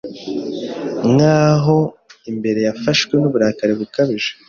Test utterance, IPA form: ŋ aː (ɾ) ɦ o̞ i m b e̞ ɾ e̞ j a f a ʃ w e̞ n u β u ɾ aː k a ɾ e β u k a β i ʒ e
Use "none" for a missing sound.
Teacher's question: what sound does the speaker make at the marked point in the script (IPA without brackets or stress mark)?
none